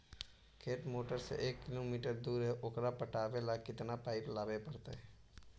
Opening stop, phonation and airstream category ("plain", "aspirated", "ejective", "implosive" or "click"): aspirated